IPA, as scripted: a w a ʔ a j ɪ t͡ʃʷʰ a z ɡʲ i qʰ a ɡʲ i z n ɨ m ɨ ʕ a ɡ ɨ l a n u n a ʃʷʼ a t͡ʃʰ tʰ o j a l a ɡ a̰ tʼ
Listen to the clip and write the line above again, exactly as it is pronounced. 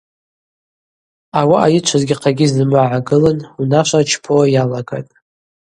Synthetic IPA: a w a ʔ a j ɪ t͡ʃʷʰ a z ɡʲ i qʰ a ɡʲ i z n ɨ m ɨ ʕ a ɡ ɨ l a n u n a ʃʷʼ a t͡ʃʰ pʰ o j a l a ɡ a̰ tʼ